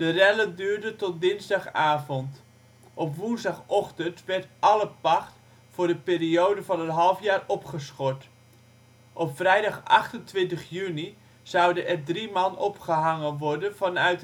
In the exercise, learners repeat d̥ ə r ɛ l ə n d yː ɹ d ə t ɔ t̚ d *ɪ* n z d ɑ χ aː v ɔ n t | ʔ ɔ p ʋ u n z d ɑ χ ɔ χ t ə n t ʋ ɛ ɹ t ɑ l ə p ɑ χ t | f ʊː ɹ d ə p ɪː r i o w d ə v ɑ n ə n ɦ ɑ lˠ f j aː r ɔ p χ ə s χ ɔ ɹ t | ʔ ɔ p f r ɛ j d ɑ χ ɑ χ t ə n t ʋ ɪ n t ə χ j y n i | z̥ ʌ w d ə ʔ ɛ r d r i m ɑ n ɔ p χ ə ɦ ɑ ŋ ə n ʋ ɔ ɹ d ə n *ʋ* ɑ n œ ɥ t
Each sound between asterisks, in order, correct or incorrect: correct, incorrect

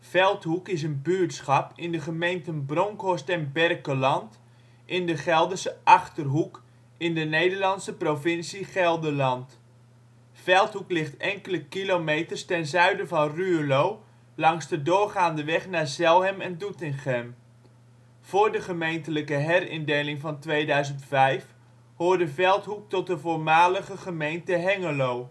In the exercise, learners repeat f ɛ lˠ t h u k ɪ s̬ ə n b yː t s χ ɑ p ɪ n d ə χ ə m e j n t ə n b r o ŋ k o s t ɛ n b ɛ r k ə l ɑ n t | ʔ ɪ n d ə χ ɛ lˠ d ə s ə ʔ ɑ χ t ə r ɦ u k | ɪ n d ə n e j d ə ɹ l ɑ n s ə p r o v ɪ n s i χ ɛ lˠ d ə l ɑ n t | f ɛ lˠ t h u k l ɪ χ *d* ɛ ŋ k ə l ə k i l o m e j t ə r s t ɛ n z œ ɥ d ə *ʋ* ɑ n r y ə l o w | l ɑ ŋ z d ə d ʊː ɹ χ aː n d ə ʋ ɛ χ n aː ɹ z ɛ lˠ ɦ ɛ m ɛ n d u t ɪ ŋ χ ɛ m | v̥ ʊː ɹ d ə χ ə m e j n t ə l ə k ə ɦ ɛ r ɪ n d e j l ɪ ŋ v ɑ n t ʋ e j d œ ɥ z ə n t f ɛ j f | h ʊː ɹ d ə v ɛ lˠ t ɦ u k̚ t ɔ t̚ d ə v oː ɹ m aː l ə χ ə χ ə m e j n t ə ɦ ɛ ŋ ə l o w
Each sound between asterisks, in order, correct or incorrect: incorrect, incorrect

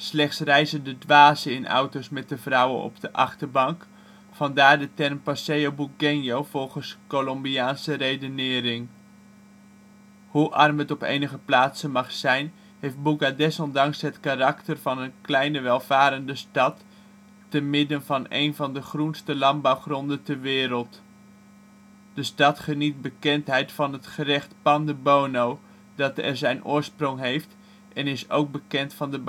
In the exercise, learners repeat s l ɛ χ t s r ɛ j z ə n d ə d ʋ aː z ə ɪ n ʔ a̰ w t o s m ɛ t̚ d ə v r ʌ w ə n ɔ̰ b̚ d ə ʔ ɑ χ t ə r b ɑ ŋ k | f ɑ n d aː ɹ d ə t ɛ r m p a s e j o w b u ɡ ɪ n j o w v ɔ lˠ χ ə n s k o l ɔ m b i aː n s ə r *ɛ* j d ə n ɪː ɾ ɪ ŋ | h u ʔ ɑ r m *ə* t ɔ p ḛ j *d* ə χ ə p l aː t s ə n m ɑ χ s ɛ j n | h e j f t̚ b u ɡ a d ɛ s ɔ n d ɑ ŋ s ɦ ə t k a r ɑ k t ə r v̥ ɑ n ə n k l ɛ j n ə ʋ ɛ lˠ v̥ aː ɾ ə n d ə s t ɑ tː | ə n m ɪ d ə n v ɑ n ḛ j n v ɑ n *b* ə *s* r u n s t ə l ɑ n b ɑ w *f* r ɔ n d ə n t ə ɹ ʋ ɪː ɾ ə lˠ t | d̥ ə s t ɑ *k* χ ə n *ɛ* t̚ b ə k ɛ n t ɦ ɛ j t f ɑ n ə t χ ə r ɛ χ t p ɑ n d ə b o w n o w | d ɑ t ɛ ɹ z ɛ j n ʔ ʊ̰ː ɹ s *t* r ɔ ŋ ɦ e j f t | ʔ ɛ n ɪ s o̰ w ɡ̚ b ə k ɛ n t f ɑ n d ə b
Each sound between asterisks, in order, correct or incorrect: incorrect, correct, incorrect, incorrect, incorrect, incorrect, incorrect, incorrect, incorrect

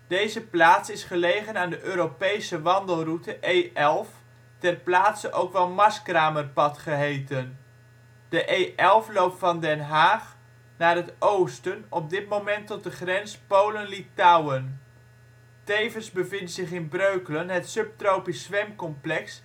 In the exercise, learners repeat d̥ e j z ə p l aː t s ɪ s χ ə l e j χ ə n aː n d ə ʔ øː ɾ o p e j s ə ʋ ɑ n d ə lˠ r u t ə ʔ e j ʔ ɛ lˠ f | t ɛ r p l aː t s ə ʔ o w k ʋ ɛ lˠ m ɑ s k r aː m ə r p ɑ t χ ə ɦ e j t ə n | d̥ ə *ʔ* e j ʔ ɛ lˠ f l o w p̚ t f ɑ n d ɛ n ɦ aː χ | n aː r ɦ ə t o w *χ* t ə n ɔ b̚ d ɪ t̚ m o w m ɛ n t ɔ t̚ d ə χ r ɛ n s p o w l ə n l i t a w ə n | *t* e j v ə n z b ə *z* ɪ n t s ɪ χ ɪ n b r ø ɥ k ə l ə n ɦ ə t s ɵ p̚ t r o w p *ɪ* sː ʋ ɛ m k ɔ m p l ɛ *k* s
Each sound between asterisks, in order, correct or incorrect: correct, incorrect, correct, incorrect, incorrect, correct

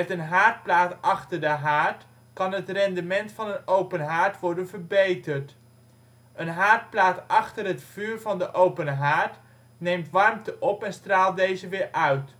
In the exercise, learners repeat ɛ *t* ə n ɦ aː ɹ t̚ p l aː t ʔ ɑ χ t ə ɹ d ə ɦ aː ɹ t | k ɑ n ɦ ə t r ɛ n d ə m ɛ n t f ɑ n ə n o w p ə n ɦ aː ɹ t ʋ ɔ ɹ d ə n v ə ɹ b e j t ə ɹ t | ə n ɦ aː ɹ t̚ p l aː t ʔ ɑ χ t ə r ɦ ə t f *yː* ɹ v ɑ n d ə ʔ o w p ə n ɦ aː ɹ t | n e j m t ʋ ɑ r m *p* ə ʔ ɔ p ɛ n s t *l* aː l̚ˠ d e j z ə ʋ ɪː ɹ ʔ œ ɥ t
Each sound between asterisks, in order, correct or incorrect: correct, correct, incorrect, incorrect

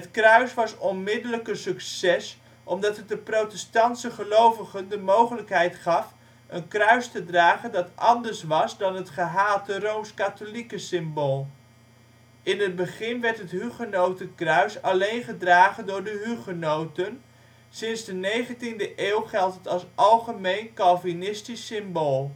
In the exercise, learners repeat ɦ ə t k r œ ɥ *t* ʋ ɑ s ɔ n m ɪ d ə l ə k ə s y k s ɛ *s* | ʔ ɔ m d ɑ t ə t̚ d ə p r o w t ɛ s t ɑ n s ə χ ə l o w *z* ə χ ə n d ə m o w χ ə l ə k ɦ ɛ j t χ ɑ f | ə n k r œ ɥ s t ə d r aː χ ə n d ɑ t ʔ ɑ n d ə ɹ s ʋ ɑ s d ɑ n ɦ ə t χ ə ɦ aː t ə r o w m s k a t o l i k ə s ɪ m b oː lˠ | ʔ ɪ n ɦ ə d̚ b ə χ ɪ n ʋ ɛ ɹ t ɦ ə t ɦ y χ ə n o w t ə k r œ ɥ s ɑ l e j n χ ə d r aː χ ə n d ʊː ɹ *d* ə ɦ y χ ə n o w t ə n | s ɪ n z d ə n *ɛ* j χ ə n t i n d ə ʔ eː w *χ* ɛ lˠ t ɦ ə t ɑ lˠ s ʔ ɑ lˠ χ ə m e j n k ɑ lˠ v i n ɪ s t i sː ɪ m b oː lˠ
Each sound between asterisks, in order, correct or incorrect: incorrect, correct, incorrect, correct, incorrect, correct

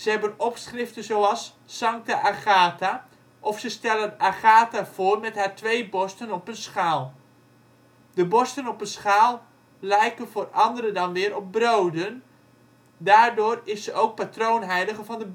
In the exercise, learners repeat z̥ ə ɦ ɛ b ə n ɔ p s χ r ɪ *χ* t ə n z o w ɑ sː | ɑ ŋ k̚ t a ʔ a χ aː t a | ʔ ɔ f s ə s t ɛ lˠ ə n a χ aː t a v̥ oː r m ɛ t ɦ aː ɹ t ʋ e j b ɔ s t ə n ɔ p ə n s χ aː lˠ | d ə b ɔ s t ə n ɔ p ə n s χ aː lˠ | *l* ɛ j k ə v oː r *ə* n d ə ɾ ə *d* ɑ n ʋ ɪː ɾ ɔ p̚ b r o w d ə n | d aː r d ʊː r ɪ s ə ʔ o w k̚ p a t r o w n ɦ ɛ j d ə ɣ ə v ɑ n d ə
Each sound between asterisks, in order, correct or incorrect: incorrect, correct, incorrect, correct

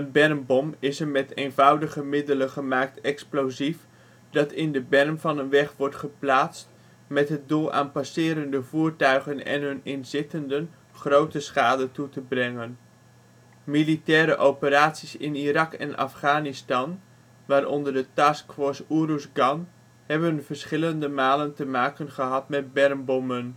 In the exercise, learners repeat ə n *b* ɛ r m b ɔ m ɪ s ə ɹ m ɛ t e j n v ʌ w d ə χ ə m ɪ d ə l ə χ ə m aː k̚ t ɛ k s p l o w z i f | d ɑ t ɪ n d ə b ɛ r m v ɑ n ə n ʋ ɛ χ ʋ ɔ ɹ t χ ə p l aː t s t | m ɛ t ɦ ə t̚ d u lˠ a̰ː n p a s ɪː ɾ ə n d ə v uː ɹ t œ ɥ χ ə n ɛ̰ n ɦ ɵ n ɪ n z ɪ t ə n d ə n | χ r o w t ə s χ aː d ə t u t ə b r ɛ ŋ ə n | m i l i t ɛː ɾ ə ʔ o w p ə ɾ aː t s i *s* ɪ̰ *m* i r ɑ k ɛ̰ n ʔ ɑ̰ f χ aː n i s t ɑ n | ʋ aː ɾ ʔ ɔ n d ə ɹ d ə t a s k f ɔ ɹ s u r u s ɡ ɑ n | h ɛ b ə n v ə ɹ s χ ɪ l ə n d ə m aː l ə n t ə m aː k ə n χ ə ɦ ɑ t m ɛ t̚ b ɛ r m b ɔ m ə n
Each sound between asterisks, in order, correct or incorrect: correct, correct, incorrect

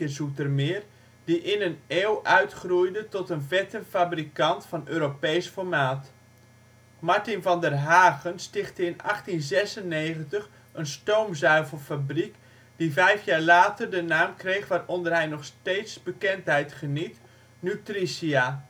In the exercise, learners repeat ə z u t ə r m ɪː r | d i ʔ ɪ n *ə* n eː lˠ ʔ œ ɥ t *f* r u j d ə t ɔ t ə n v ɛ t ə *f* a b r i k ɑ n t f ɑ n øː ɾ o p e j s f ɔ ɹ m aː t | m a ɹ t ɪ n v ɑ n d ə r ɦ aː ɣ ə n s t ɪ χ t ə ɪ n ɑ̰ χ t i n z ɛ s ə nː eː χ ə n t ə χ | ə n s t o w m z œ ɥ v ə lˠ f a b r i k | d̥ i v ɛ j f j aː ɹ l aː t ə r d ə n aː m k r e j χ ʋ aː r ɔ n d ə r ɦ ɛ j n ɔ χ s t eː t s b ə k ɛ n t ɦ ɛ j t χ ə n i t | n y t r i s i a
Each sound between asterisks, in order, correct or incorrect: correct, incorrect, correct

